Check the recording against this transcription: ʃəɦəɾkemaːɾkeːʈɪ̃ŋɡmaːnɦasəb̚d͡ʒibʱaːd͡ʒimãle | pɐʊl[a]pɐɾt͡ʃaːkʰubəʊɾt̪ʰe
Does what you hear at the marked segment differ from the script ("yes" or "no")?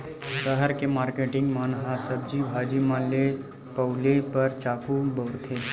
yes